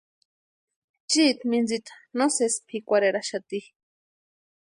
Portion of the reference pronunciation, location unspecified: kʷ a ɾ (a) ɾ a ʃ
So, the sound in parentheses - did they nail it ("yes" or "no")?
no